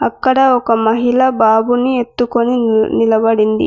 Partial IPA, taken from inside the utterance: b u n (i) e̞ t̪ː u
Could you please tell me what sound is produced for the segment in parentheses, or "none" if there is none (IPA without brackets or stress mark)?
i